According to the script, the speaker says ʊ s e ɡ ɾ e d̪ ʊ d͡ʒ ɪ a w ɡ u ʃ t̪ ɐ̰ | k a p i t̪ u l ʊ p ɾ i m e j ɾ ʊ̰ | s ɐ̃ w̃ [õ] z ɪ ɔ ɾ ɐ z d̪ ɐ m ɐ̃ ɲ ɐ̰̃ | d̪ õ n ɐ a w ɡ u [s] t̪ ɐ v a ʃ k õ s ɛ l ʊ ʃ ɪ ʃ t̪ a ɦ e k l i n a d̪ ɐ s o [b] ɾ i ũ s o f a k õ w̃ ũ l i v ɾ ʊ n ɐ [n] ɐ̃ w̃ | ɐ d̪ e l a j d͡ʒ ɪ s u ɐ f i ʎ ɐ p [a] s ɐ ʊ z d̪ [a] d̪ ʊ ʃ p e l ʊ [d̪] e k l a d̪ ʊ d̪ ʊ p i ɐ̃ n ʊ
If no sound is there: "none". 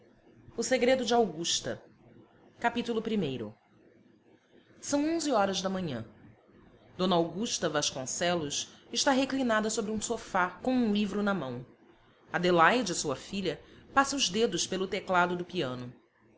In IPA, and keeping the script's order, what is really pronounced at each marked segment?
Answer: õ, ʃ, b, m, a, e, t̪

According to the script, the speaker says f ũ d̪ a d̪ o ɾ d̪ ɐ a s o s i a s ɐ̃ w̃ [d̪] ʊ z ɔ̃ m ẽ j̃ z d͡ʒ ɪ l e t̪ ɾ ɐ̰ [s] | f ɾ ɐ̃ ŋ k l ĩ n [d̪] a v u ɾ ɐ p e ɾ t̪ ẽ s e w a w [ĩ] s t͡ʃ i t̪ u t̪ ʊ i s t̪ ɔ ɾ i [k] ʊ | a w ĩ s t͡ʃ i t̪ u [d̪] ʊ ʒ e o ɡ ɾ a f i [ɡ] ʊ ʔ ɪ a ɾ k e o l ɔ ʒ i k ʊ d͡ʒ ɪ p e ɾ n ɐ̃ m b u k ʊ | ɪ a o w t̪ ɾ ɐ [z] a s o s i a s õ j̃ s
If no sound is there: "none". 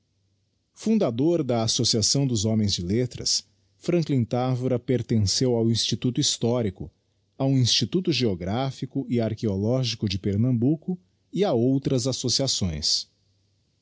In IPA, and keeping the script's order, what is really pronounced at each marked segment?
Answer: d̪, s, t̪, ĩ, k, t̪, k, z

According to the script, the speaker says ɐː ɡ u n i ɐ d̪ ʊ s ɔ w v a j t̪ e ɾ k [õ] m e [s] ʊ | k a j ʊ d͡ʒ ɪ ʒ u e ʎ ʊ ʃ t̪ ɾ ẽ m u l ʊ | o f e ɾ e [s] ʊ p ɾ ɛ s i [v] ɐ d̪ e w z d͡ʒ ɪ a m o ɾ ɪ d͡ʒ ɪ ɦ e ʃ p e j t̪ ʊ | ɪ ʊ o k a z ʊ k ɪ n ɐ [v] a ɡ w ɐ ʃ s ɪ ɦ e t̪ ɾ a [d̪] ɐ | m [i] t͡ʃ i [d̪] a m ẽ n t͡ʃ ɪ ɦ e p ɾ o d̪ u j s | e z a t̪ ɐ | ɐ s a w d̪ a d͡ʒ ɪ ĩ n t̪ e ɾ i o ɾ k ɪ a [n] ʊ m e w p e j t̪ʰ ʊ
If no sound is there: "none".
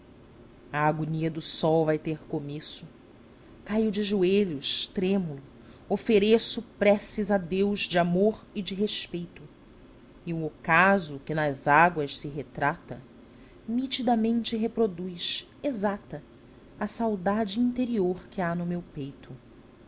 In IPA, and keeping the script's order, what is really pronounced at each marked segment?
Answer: o, s, s, z, z, t̪, i, d̪, n

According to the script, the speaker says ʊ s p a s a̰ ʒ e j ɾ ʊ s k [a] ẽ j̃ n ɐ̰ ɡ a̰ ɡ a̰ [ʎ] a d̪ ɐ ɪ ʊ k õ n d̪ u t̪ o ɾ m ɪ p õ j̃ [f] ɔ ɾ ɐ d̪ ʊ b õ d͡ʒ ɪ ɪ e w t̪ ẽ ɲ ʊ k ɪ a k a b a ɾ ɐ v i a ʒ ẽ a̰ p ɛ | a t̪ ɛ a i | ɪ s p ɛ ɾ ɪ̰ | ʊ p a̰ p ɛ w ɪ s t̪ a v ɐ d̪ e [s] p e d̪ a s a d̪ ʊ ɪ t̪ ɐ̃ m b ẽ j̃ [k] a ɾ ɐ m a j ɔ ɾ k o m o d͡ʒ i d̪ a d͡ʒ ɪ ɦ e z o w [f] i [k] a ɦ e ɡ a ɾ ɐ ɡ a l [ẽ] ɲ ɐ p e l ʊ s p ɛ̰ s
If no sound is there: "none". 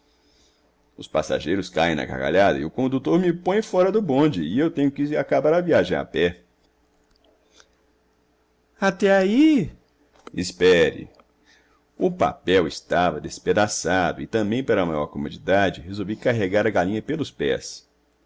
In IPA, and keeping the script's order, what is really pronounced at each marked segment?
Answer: a, ʎ, f, s, p, v, k, ĩ

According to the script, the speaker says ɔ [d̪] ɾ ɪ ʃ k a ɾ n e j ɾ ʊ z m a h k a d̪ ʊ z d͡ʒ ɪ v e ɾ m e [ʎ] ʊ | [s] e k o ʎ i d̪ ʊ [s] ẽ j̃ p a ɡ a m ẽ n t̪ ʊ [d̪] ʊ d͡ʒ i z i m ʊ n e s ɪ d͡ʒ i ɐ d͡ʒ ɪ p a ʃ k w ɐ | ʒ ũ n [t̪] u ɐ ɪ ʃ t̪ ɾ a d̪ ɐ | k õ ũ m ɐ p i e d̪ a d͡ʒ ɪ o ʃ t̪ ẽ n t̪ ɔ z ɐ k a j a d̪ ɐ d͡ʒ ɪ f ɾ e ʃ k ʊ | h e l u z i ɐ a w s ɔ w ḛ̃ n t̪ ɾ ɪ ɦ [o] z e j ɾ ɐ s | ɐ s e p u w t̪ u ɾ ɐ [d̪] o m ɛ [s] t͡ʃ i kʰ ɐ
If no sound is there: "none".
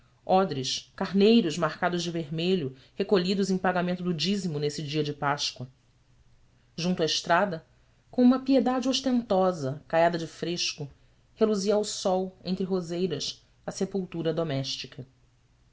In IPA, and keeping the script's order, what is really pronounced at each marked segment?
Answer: d̪, ʎ, h, z, d̪, t̪, o, d̪, ʃ

